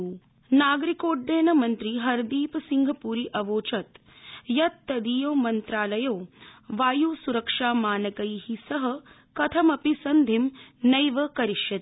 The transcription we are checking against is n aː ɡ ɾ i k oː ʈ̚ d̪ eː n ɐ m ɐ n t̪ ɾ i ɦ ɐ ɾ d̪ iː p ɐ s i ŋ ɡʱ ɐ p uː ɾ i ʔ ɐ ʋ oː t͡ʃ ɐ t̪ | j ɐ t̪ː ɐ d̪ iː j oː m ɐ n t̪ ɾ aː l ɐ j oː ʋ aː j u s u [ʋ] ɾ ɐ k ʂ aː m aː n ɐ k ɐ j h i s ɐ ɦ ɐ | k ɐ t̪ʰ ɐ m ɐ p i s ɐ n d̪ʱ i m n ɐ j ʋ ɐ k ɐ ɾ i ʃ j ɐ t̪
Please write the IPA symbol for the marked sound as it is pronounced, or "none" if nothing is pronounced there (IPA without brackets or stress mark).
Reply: none